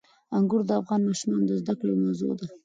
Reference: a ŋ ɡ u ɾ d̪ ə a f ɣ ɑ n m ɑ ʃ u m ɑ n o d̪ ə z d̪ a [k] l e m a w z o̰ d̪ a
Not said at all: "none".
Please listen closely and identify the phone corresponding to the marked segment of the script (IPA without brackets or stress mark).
k